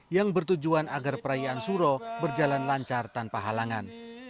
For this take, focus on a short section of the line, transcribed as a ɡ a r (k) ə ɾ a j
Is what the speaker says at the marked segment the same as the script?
no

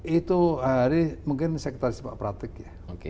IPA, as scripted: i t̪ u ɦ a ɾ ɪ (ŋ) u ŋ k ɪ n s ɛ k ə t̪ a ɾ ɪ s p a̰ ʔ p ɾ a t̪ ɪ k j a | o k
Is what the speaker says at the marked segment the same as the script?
no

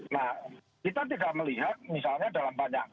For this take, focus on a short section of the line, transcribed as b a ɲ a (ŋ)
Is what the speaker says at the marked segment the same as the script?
yes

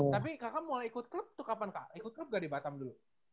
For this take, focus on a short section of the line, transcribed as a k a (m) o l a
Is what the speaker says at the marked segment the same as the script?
yes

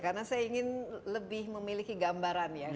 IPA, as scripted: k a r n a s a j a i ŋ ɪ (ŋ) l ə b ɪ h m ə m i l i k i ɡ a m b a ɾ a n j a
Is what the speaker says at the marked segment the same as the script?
no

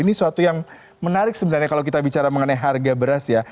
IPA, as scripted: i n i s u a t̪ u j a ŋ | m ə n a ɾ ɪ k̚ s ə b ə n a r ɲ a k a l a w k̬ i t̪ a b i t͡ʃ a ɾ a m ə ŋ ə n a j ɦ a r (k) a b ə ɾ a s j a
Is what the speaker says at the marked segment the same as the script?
no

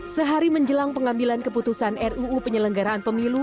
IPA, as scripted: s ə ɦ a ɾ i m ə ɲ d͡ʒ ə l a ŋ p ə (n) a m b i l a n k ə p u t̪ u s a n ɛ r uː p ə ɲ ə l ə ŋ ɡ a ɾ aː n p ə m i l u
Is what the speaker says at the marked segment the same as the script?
no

